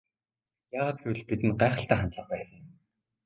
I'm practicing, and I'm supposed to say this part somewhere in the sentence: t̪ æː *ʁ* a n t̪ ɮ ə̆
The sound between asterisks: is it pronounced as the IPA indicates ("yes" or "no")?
no